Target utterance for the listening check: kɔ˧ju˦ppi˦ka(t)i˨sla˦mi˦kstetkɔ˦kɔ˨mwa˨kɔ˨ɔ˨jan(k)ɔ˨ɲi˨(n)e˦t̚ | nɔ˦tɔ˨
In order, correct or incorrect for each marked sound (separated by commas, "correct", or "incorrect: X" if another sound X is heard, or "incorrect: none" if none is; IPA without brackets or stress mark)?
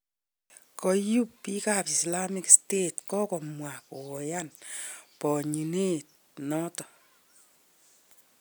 incorrect: p, incorrect: p, correct